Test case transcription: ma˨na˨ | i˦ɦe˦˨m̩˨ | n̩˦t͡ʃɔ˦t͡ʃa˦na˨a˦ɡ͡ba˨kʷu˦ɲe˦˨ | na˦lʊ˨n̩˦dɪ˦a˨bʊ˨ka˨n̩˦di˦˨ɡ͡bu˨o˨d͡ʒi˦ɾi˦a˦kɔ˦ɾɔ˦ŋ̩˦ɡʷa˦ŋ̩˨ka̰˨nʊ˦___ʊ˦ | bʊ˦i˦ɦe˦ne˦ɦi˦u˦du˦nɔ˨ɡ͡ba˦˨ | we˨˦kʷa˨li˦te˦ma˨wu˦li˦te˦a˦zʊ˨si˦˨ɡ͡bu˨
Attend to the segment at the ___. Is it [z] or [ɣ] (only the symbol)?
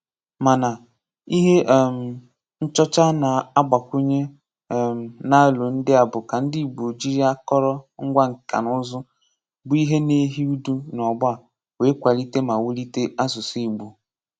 z